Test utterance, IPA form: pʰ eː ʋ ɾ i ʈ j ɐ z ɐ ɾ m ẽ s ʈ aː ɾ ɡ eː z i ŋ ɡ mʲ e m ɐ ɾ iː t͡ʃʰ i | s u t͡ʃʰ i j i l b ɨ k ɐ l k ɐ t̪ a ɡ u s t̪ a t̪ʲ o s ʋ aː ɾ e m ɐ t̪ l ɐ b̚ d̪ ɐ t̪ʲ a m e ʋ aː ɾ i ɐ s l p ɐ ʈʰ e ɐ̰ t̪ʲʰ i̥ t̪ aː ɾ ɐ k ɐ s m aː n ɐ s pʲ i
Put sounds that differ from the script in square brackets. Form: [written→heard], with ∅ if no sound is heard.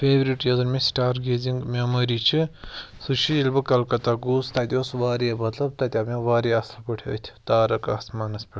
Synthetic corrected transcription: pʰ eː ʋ ɾ i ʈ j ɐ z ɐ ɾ m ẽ s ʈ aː ɾ ɡ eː z i ŋ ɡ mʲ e m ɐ ɾ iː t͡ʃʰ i | s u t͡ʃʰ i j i l b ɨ k ɐ l k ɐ t̪ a ɡ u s t̪ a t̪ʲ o s ʋ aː ɾ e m ɐ t̪ l ɐ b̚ [d̪→t̪] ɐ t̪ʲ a m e ʋ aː ɾ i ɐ s l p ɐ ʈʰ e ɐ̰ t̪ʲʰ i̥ t̪ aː ɾ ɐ k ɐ s m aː n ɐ s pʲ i